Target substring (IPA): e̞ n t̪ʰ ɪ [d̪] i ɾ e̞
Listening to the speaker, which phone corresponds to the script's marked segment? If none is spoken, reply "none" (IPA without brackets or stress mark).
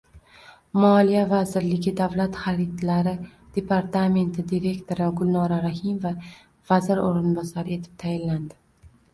d̪